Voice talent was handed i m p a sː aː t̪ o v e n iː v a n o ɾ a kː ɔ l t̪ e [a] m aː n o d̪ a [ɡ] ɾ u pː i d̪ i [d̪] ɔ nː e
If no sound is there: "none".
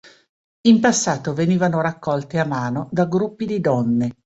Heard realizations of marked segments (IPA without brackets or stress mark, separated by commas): a, ɡ, d̪